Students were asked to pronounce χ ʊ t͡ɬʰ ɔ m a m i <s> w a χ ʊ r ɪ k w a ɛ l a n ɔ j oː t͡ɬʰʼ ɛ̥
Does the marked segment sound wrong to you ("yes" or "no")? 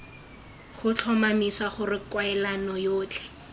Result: no